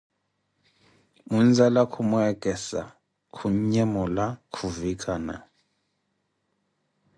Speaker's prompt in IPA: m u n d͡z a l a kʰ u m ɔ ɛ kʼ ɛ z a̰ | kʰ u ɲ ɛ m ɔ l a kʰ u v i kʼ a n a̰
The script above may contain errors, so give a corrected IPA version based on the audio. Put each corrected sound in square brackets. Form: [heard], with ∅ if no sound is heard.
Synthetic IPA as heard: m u n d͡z a l a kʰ u m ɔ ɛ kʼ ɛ [s] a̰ | kʰ u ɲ ɛ m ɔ l a kʰ u v i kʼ a n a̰